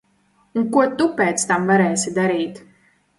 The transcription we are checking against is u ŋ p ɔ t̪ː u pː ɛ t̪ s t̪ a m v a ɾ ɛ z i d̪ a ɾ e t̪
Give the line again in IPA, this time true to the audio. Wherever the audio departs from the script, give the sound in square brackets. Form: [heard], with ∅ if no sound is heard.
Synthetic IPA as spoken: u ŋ [k] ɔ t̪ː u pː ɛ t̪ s t̪ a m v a ɾ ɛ [s] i d̪ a ɾ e t̪